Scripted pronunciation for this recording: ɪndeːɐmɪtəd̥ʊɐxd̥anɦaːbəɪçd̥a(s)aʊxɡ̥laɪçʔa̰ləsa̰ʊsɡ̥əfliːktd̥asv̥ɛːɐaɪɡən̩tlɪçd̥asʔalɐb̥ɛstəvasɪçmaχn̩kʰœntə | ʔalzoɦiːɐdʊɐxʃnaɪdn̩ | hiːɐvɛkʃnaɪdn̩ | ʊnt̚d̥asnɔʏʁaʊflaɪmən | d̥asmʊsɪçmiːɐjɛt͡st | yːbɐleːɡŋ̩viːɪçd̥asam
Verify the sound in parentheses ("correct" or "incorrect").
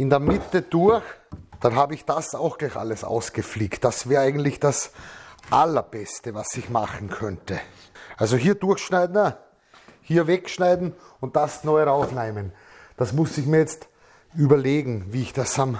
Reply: correct